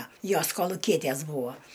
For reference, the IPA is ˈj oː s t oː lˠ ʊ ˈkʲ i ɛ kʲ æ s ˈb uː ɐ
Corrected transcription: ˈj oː s k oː lˠ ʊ ˈkʲ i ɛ tʲ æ s ˈb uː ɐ